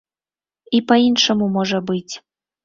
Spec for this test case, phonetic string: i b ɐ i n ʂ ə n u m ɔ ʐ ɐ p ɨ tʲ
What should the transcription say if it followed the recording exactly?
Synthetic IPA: i p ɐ i n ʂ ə m u m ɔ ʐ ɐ b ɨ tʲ